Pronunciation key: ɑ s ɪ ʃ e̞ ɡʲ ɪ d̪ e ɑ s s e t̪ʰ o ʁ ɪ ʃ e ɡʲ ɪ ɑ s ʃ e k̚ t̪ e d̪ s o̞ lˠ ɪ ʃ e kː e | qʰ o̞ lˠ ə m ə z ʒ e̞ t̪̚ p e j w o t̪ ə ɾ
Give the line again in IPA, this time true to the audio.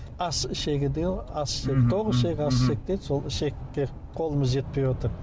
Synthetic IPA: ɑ s ɪ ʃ e̞ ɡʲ ɪ d̪ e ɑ s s e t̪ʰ o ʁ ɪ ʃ e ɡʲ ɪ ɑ s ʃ e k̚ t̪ e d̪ s o̞ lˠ ɪ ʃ e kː e | qʰ o̞ lˠ ə m ə z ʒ e̞ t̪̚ p e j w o t̪ ə ɾ

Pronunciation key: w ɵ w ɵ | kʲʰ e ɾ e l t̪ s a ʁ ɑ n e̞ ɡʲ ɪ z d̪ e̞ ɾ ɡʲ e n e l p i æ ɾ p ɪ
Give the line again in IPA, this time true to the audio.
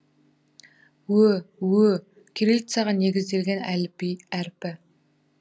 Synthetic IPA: w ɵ w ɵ | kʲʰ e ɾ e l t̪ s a ʁ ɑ n e̞ ɡʲ ɪ z d̪ e̞ l ɡʲ e n æ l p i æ ɾ p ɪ

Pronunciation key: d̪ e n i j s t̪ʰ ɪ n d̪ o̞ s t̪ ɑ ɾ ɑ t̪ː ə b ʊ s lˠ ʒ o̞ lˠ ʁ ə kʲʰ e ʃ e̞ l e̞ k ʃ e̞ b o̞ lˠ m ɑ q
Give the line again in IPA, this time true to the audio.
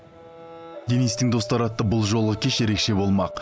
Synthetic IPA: d̪ e n i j s t̪ ɪ ŋ d̪ o̞ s t̪ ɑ ɾ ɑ t̪ː ə b ʊ lˠ ʒ o̞ lˠ ʁ ə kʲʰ e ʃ e̞ ɾ e̞ k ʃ e̞ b o̞ lˠ m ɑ q

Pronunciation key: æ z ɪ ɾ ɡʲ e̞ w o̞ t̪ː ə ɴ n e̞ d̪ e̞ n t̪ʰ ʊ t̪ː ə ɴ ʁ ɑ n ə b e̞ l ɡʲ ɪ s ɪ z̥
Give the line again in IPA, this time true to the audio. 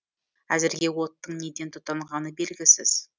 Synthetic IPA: æ z ɪ ɾ ɡʲ e̞ w o̞ t̪ː ə ɴ n e̞ d̪ e̞ n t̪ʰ ʊ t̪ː ɑ ɴ ʁ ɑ n ə b e̞ l ɡʲ ɪ s ɪ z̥

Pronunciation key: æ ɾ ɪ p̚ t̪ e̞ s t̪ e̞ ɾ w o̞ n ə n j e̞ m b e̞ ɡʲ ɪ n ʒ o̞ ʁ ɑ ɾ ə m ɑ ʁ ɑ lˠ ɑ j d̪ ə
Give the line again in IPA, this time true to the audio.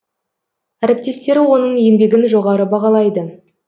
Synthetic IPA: æ ɾ ɪ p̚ t̪ e̞ s t̪ e̞ ɾ w o̞ n ə ɴ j e̞ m b e̞ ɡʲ ɪ n ʒ o̞ ʁ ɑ ɾ ə b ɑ ʁ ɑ lˠ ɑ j d̪ ə

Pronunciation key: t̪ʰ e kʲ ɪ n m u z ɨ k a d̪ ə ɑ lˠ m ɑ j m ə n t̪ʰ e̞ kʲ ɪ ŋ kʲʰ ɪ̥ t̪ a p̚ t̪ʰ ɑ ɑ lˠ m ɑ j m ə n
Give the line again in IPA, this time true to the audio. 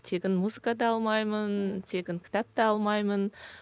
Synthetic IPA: t̪ʰ e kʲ ɪ n m u z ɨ k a d̪ ɑ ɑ lˠ m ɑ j m ə n t̪ʰ e̞ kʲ ɪ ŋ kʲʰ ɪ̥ t̪ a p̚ t̪ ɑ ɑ lˠ m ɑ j m ə n

